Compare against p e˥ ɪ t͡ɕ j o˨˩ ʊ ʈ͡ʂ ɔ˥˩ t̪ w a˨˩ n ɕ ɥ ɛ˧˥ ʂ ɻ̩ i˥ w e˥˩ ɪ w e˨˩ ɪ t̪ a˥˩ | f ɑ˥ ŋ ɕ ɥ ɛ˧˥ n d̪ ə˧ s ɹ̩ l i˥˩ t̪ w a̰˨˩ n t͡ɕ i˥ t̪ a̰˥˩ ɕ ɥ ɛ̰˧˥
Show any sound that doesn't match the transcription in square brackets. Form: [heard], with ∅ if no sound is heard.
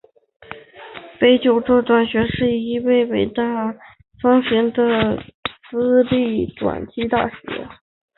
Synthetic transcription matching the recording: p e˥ ɪ t͡ɕ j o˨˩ ʊ ʈ͡ʂ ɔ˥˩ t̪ w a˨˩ n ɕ ɥ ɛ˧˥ ʂ ɻ̩ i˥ w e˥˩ ɪ w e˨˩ ɪ t̪ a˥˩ | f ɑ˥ ŋ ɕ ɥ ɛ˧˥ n d̪ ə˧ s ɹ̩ l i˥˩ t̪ w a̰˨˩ n t͡ɕ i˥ t̪ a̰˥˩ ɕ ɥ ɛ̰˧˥